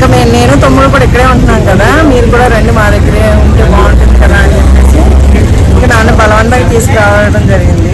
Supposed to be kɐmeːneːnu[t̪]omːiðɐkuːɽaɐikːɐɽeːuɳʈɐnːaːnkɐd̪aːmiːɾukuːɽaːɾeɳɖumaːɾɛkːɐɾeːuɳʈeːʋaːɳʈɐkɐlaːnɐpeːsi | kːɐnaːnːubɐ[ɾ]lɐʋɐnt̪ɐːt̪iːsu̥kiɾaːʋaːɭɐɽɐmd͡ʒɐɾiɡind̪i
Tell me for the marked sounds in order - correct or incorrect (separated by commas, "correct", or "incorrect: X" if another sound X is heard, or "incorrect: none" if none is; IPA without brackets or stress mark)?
correct, incorrect: none